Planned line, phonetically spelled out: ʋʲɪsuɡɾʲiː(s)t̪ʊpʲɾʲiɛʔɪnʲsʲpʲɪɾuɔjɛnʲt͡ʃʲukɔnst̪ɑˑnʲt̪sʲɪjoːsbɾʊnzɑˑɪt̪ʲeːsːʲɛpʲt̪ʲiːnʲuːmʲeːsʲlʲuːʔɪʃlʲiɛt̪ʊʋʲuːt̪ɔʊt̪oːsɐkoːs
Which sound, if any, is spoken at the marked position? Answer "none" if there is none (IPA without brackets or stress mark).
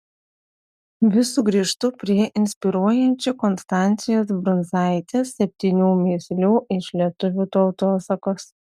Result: ʃ